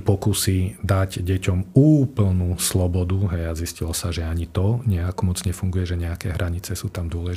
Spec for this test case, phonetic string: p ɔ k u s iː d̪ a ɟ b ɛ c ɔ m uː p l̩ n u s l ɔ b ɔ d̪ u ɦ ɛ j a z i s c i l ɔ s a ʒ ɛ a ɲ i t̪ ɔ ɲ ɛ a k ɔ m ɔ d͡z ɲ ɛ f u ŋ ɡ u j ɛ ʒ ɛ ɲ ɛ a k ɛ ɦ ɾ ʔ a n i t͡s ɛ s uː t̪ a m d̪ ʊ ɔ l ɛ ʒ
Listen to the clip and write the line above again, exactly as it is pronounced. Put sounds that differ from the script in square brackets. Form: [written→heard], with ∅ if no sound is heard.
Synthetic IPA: p ɔ k u s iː d̪ a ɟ [b→ɟ] ɛ c ɔ m uː p l̩ n u s l ɔ b ɔ d̪ u ɦ ɛ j a z i s c i l ɔ s a ʒ ɛ a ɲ i t̪ ɔ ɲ ɛ a k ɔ m ɔ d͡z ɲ ɛ f u ŋ ɡ u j ɛ ʒ ɛ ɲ ɛ a k ɛ ɦ ɾ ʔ a [n→ɲ] i t͡s ɛ s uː t̪ a m d̪ ʊ ɔ l ɛ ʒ